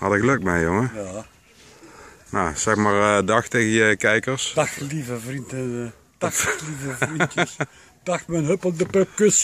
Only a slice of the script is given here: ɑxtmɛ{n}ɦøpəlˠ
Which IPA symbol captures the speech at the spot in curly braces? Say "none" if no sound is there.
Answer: n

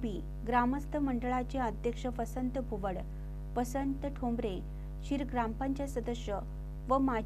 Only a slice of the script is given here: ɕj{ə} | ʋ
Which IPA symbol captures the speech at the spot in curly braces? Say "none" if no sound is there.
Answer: ə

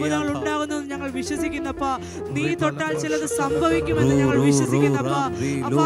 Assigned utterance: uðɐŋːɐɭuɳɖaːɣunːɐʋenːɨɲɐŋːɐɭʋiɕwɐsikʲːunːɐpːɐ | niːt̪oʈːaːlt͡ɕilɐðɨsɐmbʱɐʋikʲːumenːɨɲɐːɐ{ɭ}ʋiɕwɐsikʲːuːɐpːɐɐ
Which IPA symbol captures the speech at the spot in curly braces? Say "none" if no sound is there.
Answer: ɭ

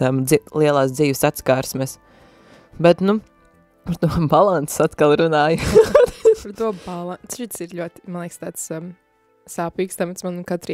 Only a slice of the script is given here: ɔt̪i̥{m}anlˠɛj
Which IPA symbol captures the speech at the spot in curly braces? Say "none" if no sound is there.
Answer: m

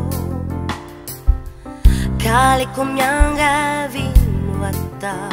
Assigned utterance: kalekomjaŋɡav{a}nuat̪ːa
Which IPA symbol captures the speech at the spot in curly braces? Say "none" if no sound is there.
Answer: i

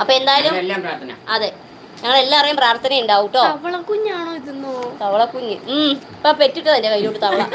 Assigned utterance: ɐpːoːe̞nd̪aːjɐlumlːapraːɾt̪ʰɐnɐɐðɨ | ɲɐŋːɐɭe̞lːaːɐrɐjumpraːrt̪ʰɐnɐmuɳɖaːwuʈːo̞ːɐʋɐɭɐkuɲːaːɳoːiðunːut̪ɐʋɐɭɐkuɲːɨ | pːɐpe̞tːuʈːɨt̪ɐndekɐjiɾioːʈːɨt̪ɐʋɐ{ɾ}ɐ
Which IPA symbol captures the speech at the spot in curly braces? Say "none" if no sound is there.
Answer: ɭ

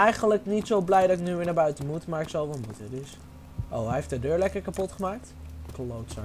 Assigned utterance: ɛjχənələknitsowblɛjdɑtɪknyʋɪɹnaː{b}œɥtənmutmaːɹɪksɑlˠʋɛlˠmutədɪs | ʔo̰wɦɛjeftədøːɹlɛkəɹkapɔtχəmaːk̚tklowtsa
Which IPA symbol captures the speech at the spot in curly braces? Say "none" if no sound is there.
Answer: b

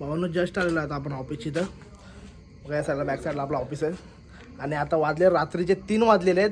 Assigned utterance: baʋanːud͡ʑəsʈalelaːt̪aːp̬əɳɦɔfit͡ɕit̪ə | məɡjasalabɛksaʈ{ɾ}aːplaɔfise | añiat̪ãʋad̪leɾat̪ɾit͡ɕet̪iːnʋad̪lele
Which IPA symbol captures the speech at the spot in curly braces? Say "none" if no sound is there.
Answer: l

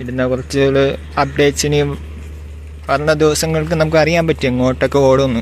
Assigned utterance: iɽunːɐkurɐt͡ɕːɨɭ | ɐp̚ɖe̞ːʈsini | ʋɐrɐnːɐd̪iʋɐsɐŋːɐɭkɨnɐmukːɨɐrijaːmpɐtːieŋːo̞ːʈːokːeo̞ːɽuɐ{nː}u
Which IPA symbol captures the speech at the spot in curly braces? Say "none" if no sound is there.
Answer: nː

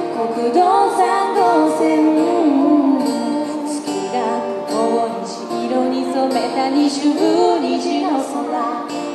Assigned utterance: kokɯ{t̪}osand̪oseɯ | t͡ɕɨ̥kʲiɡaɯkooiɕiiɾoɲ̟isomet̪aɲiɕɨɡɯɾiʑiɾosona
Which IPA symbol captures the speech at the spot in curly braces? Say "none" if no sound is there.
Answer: d̪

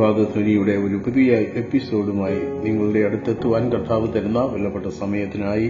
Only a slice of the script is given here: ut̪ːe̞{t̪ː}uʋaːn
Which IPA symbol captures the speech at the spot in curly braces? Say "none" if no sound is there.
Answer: t̪ː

